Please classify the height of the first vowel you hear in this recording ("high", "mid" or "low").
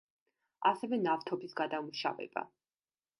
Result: low